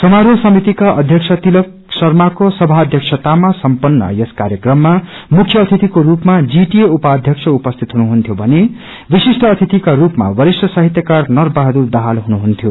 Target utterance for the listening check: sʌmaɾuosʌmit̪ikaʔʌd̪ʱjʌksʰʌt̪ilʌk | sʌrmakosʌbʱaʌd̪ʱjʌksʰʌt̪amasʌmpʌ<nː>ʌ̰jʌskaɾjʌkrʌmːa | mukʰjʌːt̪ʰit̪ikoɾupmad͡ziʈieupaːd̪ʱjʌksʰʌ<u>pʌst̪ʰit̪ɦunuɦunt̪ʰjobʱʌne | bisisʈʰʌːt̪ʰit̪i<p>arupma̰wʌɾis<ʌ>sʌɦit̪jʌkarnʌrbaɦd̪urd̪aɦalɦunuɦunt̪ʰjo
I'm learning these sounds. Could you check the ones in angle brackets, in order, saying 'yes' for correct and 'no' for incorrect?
yes, yes, no, yes

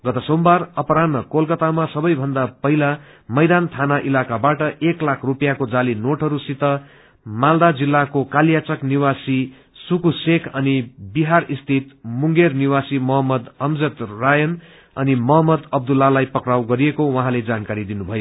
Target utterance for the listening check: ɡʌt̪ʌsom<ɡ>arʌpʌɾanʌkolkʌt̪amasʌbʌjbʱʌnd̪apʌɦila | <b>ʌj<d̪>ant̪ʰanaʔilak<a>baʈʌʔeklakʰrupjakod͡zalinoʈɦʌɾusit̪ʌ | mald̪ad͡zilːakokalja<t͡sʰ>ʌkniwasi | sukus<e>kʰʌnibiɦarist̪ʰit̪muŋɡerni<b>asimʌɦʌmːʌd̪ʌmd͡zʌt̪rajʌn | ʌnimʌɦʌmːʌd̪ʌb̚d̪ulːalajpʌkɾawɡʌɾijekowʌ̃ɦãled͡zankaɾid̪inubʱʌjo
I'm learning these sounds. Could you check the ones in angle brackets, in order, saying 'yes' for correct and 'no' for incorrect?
no, no, yes, yes, no, yes, no

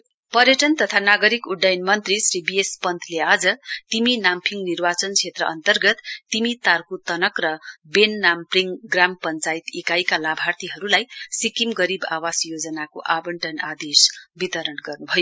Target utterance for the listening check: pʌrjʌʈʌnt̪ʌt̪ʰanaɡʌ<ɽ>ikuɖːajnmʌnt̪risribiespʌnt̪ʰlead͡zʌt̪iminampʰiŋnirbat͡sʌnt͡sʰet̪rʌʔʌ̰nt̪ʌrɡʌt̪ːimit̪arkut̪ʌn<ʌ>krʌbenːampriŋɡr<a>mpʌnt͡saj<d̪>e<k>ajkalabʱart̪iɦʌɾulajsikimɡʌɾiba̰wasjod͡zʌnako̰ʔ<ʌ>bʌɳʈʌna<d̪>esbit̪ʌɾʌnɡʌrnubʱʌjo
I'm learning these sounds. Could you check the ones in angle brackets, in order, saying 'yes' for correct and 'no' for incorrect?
no, yes, yes, no, yes, no, yes

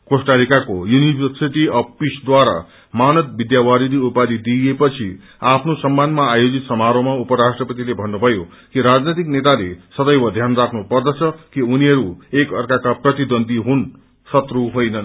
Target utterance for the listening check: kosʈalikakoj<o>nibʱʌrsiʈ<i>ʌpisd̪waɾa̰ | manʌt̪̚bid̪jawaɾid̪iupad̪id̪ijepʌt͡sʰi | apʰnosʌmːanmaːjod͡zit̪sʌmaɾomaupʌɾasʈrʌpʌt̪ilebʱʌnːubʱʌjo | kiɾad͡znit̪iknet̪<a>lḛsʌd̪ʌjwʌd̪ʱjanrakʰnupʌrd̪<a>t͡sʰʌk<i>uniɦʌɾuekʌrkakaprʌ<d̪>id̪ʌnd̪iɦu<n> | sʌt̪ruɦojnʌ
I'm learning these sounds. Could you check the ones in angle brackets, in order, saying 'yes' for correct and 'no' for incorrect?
no, yes, yes, no, yes, no, yes

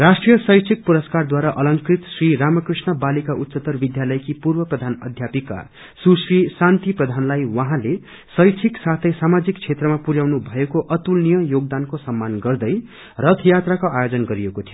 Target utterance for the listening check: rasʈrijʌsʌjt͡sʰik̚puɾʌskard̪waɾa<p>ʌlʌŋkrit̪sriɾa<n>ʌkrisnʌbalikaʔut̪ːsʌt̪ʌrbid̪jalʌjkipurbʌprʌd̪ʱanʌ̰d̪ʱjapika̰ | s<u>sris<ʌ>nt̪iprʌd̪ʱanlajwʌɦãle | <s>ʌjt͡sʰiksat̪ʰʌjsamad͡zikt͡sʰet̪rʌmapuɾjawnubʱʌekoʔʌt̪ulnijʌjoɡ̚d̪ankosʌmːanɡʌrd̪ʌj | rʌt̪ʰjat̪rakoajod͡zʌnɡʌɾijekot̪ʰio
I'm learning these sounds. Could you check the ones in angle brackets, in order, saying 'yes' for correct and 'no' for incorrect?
no, no, yes, no, yes

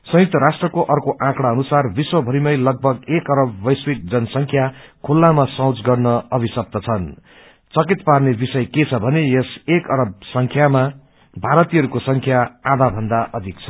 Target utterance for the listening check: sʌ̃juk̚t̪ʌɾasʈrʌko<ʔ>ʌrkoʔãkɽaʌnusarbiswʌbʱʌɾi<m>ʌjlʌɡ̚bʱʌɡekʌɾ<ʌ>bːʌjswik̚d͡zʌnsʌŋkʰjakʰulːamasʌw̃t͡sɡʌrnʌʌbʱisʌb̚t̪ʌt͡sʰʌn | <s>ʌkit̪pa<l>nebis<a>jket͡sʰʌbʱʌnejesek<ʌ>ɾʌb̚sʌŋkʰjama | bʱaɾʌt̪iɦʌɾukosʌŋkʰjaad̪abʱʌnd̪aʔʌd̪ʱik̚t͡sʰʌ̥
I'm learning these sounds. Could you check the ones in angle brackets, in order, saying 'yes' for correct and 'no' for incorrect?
yes, yes, yes, no, no, no, yes

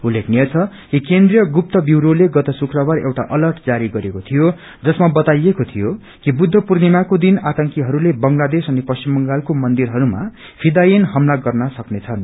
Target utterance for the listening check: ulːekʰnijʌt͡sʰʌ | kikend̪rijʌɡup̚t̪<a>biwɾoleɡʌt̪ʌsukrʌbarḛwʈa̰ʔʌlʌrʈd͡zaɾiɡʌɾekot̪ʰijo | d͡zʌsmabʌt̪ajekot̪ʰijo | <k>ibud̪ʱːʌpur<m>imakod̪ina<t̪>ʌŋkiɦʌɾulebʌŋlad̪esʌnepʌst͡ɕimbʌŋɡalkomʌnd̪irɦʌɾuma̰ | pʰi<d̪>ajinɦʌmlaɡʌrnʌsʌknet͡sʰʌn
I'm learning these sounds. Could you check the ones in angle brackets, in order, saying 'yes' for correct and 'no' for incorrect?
no, yes, no, yes, yes

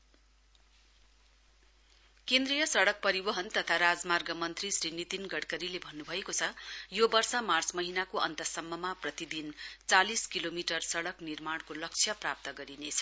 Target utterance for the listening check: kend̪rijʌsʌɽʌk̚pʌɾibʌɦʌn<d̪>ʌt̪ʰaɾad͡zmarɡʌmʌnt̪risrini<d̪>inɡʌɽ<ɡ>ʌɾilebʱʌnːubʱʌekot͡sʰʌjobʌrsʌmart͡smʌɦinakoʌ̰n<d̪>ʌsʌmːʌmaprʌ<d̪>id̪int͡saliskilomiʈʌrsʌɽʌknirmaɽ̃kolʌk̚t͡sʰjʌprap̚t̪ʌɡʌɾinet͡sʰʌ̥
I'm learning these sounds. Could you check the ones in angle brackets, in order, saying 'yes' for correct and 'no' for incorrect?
no, no, no, no, no

